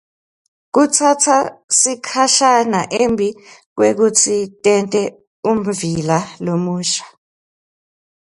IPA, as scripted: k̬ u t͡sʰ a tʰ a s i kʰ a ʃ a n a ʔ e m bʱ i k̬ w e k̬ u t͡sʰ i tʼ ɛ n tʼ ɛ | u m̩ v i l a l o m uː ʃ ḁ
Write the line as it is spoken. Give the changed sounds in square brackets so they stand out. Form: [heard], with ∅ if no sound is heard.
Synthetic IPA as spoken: k̬ u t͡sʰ a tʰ a s i kʰ a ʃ a n a ʔ e m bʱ i k̬ w e k̬ u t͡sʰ i tʼ ɛ n tʼ ɛ | u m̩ v i l a l o m uː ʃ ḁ

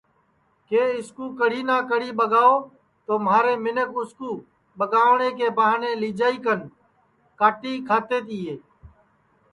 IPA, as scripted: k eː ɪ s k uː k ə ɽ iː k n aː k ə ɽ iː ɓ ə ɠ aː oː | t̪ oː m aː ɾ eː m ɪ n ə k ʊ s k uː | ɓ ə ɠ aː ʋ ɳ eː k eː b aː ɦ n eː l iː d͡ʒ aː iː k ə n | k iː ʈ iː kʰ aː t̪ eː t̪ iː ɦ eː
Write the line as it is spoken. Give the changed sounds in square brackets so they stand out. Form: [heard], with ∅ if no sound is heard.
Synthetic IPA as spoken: k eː ɪ s k uː k ə ɽ iː [∅] n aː k ə ɽ iː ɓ ə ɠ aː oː | t̪ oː m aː ɾ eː m ɪ n ə k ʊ s k uː | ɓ ə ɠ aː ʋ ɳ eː k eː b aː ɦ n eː l iː d͡ʒ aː iː k ə n | k [aː] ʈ iː kʰ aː t̪ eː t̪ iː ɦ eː

